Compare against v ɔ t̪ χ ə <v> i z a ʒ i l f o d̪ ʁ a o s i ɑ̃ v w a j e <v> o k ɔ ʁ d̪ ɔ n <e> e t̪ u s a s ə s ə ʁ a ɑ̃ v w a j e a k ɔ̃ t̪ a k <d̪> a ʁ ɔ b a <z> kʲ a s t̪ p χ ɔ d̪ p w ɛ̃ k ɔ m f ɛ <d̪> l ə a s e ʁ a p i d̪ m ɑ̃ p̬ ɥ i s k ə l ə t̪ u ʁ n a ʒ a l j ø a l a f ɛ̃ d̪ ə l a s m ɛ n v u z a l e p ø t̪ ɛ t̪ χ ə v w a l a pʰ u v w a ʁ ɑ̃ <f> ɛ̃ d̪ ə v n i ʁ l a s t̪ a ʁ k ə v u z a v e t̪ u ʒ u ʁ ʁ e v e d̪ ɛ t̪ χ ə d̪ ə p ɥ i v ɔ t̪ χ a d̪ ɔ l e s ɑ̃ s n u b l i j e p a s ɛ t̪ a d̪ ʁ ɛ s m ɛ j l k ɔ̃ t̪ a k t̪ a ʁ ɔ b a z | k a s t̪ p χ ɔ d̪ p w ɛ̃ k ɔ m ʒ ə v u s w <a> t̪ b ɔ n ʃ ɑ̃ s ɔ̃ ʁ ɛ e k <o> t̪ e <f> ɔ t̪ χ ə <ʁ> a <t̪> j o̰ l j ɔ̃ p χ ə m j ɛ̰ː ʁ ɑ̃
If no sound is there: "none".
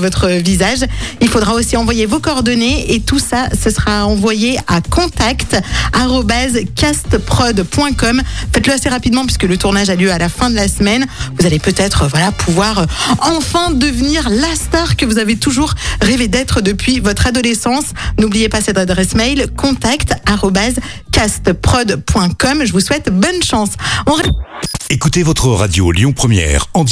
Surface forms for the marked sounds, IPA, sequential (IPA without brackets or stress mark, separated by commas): v, v, e, t̪, z, t̪, f, ɛ, u, v, ʁ, d̪